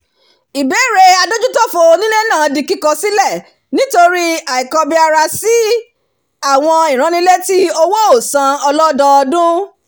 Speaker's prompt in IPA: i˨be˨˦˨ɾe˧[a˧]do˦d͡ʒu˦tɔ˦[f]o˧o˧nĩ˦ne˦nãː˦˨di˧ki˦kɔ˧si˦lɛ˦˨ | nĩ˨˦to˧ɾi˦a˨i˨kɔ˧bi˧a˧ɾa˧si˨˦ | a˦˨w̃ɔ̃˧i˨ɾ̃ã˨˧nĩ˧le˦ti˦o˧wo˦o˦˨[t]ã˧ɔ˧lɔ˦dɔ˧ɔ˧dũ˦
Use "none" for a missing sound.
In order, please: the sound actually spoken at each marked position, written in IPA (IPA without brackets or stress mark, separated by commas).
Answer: a˧, f, s